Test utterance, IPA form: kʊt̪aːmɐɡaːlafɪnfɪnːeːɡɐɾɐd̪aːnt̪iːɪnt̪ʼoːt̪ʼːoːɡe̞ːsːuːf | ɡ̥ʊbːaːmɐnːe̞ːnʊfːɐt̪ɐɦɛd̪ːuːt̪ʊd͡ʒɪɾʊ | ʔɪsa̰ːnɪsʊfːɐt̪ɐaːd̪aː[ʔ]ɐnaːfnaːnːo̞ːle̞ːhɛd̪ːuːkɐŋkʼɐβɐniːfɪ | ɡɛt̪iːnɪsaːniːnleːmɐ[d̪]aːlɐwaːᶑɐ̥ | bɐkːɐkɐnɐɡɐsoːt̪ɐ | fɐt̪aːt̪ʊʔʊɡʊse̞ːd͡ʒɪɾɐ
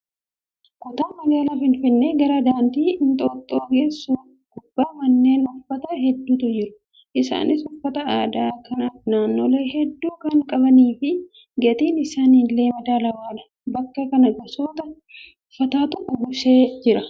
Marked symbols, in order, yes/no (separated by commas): no, yes